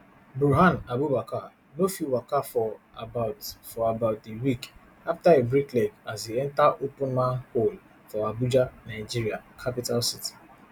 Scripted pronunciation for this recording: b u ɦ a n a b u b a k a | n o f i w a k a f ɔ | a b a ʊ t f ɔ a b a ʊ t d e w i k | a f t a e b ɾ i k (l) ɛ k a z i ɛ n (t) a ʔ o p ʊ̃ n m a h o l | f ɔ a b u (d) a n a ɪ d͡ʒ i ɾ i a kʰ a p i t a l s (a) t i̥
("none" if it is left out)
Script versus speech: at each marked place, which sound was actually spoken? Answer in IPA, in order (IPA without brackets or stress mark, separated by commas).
l, t, d͡ʒ, i